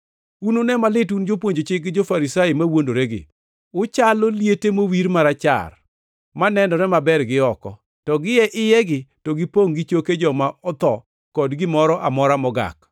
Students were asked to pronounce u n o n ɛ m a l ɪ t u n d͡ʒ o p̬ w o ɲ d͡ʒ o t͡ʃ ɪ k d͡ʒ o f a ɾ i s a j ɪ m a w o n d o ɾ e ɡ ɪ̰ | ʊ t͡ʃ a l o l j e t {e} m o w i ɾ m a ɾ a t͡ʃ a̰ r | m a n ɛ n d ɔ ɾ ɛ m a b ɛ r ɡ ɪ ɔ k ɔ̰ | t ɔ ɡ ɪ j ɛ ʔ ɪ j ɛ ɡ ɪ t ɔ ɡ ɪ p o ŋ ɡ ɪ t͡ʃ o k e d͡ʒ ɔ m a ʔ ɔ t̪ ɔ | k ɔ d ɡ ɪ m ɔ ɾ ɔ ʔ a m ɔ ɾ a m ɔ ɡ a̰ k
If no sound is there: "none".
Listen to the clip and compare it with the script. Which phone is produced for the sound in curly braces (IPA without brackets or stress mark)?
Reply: e